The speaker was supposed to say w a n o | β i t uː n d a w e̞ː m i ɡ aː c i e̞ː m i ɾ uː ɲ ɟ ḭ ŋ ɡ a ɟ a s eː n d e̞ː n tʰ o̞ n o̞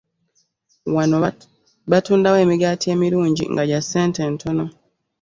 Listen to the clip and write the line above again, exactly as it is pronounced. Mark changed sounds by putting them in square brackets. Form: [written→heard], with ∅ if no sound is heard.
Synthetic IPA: w a n o | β [i→a] t uː n d a w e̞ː m i ɡ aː [c→t] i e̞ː m i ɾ uː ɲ ɟ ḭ ŋ ɡ a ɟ a s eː n [d→t] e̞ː n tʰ o̞ n o̞